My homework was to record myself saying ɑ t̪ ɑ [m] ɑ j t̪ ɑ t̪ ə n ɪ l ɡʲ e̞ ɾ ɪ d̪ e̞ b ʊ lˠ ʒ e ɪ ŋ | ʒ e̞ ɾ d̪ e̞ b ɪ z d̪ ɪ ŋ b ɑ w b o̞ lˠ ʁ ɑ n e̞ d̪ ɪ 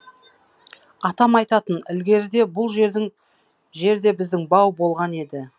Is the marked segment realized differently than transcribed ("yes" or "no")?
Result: no